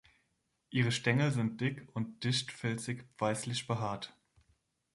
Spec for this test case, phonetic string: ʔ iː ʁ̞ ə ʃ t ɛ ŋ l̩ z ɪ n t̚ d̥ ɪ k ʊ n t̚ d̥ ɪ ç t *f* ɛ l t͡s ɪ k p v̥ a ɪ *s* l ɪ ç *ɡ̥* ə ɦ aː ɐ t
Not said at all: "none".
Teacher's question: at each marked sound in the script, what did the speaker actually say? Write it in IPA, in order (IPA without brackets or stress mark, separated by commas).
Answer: f, s, b̥